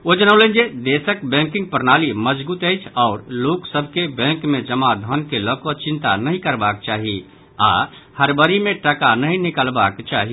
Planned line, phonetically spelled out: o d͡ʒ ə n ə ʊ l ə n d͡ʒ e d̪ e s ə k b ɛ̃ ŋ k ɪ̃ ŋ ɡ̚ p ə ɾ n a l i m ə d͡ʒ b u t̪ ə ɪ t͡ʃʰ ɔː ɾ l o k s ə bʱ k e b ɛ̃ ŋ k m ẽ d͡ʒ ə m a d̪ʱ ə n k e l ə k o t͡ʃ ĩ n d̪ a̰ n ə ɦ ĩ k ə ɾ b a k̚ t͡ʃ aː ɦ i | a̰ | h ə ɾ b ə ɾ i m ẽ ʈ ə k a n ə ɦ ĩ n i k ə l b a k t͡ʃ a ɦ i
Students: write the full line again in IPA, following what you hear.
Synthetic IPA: o d͡ʒ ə n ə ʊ l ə n d͡ʒ e d̪ e s ə k b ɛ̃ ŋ k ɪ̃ ŋ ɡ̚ p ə ɾ n a l i m ə d͡ʒ b u t̪ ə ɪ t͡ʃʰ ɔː ɾ l o k s ə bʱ k e b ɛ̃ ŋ k m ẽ d͡ʒ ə m a d̪ʱ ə n k e l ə k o t͡ʃ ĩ n t̪ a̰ n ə ɦ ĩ k ə ɾ b a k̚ t͡ʃ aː ɦ i | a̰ | h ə ɾ b ə ɾ i m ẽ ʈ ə k a n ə ɦ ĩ n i k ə l b a k t͡ʃ a ɦ i